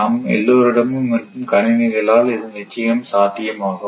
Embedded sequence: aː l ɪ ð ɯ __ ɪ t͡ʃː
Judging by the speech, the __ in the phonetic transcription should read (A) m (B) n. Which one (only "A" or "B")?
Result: B